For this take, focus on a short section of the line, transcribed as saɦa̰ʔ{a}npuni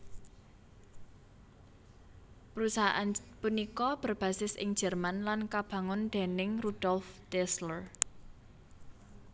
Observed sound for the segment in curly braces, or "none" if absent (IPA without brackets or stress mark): a